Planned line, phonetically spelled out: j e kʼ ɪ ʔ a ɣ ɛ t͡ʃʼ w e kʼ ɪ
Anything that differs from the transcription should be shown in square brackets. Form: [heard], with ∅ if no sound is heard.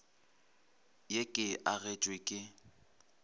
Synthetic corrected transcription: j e kʼ ɪ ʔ a ɣ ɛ t͡ʃʼ w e kʼ ɪ